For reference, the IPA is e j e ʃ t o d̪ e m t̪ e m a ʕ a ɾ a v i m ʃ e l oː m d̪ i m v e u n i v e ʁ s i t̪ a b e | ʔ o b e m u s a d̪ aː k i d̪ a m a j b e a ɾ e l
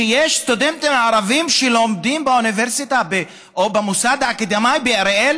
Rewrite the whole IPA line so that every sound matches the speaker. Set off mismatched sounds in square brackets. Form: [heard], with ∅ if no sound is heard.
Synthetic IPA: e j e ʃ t o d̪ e m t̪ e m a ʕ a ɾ a v i m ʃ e l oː m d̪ i m [b] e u n i v e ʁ s i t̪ a b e | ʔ o b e m u s a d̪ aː k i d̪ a m a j b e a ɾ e l

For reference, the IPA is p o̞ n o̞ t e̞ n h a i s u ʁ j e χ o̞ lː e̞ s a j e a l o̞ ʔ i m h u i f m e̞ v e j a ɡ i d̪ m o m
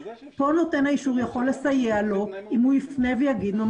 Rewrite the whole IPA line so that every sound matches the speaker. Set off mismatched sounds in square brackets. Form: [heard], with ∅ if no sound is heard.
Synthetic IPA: p o̞ n o̞ t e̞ n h a i [ʃ] u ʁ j [a] χ o̞ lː e̞ s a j e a l o̞ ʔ i m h u i f [n] e̞ v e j a ɡ i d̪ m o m

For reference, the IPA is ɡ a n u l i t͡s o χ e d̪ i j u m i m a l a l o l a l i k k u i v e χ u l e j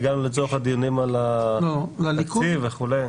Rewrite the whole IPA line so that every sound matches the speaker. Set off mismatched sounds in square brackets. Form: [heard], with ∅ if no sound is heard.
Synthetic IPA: ɡ a n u l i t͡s o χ [a] d̪ i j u [n] i m a l a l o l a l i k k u i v e χ u l e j

